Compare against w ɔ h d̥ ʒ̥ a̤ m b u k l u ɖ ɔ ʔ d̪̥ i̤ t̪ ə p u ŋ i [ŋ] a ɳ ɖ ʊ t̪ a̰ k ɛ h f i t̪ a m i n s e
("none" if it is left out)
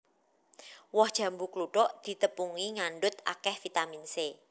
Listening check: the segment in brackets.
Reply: ŋ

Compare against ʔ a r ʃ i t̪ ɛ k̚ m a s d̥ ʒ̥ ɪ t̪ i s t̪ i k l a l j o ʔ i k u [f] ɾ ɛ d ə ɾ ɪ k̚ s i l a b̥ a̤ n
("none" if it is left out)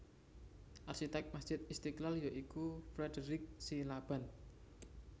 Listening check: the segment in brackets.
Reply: f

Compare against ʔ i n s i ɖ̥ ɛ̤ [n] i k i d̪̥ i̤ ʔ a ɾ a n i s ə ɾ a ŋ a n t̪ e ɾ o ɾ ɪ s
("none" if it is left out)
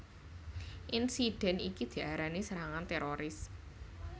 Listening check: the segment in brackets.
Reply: n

